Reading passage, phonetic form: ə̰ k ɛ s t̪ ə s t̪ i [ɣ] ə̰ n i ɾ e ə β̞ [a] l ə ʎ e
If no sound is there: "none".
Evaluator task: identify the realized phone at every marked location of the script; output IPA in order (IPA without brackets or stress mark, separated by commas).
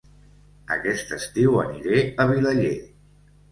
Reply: w, i